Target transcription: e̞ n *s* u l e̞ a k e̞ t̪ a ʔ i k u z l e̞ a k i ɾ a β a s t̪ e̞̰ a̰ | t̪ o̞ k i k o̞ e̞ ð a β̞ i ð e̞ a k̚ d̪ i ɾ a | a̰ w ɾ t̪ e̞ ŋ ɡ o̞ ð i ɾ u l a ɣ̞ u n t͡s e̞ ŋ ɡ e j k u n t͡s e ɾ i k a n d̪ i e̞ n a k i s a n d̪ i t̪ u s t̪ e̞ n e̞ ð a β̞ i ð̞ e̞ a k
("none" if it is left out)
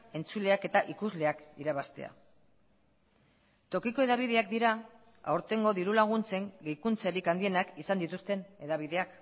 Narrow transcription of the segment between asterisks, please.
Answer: t͡s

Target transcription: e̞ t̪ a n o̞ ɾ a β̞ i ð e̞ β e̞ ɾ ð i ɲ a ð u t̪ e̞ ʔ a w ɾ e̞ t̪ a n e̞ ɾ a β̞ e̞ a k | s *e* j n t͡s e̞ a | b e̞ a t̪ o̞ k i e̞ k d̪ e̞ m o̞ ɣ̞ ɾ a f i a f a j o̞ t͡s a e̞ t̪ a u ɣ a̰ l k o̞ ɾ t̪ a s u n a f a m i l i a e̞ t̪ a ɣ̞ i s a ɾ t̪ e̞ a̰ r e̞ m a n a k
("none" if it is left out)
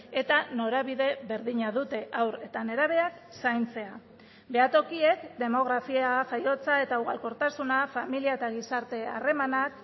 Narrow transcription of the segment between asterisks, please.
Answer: a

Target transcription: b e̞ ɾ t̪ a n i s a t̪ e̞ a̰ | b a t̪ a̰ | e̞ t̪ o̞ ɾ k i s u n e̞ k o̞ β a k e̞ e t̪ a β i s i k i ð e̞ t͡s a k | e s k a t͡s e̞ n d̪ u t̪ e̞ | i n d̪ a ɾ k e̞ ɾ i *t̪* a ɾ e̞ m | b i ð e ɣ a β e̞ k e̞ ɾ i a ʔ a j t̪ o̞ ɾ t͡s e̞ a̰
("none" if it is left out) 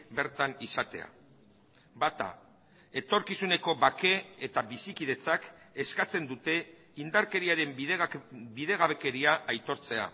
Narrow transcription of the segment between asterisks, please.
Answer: none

